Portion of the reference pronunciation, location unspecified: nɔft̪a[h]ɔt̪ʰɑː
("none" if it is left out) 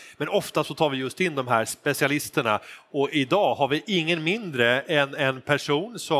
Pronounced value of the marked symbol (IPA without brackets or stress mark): s